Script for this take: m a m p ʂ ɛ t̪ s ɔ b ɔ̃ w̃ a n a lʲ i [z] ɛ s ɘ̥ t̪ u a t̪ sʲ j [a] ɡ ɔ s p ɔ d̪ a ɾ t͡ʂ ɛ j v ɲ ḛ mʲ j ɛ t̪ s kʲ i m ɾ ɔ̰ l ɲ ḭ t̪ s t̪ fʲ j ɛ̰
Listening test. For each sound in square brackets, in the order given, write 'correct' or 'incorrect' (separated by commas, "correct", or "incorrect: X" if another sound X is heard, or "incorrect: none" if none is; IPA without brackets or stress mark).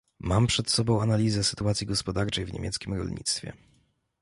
correct, incorrect: i